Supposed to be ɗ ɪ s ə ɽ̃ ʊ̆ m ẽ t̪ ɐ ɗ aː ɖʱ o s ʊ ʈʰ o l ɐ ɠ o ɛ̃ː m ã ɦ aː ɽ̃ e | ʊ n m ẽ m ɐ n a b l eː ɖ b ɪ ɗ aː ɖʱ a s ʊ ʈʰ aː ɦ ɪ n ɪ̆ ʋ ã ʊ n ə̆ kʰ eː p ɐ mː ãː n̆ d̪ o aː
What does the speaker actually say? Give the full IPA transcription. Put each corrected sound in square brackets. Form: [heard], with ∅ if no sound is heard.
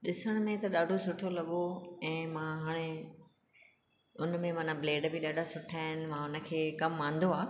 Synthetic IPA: ɗ ɪ s ə ɽ̃ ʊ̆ m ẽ t̪ ɐ ɗ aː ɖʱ o s ʊ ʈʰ o l ɐ ɠ o ɛ̃ː m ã ɦ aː ɽ̃ e | ʊ n m ẽ m ɐ n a b l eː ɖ b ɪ ɗ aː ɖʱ a s ʊ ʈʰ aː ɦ ɪ n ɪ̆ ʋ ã ʊ n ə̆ kʰ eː [k] ɐ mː ãː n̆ d̪ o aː